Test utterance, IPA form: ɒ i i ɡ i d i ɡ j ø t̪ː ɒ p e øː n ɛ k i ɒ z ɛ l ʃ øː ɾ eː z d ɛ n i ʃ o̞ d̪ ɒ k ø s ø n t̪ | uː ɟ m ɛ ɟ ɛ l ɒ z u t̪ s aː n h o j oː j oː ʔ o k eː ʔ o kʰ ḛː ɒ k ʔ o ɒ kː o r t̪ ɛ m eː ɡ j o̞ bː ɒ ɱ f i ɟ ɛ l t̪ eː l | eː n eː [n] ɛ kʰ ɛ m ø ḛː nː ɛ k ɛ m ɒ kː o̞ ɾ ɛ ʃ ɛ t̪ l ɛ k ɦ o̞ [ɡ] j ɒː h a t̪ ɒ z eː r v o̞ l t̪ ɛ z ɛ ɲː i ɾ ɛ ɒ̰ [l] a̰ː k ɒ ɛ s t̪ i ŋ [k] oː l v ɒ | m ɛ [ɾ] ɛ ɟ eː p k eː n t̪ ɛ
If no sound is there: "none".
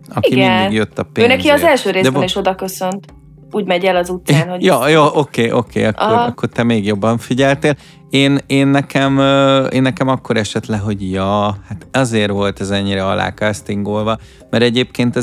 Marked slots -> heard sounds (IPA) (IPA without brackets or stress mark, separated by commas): nː, ɟ, l, ɡ, ɾ